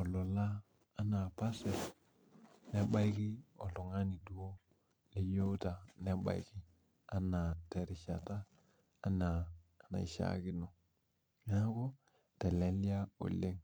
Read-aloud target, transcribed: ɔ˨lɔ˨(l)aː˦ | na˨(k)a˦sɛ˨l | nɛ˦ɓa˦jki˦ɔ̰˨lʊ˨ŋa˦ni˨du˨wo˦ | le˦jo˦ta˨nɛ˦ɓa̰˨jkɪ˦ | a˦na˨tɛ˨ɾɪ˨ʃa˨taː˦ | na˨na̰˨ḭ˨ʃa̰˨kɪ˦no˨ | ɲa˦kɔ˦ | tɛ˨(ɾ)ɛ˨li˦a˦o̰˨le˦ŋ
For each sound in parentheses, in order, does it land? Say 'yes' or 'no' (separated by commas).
yes, no, no